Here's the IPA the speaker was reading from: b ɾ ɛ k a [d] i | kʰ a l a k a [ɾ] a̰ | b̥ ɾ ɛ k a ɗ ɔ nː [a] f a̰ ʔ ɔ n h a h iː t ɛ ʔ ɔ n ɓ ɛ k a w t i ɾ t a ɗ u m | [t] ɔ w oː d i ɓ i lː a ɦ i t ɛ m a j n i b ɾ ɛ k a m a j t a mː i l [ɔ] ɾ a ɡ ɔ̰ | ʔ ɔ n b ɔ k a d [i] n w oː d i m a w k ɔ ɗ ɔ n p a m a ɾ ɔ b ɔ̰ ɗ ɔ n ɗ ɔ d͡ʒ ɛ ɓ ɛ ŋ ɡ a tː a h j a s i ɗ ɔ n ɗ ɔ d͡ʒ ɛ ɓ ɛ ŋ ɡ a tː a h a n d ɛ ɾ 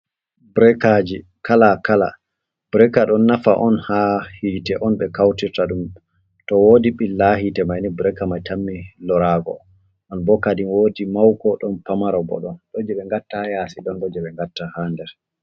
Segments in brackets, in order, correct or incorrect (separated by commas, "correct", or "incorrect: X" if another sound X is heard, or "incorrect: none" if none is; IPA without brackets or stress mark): incorrect: d͡ʒ, incorrect: l, correct, correct, correct, correct